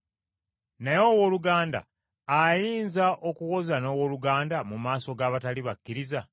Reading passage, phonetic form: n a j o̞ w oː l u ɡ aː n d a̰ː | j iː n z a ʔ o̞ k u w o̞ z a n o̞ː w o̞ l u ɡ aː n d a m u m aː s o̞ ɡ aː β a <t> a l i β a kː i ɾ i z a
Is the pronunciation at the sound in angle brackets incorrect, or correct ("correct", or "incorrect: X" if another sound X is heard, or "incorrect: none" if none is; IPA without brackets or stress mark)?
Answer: correct